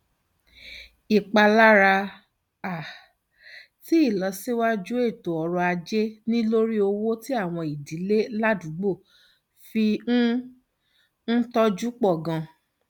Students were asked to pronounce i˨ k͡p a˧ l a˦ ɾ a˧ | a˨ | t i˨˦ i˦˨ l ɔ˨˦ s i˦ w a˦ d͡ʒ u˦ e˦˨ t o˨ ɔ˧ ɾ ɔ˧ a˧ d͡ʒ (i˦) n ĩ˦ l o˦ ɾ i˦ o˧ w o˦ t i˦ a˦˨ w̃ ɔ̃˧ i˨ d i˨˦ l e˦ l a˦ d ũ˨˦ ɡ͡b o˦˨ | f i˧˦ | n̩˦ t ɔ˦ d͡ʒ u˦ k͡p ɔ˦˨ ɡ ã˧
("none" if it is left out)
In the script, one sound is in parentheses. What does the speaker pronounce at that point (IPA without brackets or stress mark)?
e˦